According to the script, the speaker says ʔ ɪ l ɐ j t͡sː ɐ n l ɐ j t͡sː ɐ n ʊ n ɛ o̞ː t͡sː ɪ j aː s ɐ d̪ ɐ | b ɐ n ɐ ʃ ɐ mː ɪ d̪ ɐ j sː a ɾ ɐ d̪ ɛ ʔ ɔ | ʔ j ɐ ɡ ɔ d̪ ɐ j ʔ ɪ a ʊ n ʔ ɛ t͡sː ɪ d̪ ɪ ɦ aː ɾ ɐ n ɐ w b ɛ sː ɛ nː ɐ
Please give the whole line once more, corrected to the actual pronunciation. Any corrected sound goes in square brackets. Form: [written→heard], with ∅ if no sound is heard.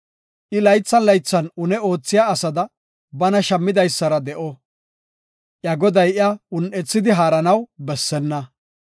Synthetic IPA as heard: ʔ ɪ l ɐ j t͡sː ɐ n l ɐ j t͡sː ɐ n ʊ n ɛ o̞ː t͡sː ɪ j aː s ɐ d̪ ɐ | b ɐ n ɐ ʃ ɐ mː ɪ d̪ ɐ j sː [a→ɐ] ɾ ɐ d̪ ɛ ʔ ɔ | ʔ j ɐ ɡ ɔ d̪ ɐ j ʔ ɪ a ʊ n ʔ ɛ t͡sː ɪ d̪ ɪ ɦ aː ɾ ɐ n ɐ w b ɛ sː ɛ nː ɐ